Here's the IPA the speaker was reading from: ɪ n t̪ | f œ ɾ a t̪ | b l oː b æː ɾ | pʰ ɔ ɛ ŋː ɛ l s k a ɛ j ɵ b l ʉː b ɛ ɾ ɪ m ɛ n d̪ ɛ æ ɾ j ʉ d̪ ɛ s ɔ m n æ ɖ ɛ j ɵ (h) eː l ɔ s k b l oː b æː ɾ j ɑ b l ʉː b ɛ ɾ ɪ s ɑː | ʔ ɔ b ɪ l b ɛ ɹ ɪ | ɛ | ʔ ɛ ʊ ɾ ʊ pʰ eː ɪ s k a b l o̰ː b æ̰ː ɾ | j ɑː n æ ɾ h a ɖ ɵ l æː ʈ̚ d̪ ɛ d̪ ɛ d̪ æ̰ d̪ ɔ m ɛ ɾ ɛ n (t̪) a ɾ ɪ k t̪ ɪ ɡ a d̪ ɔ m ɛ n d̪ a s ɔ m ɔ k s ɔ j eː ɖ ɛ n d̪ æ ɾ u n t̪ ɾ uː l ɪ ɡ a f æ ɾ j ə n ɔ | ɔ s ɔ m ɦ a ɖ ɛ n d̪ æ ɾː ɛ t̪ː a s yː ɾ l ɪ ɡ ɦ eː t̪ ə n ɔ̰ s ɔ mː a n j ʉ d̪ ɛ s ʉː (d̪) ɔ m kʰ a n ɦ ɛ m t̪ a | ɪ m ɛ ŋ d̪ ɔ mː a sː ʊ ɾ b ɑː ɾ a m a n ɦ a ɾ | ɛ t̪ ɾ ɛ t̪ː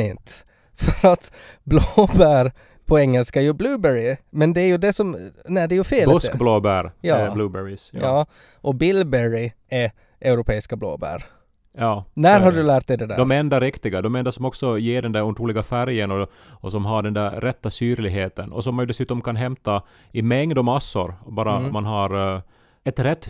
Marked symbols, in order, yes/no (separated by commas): no, no, no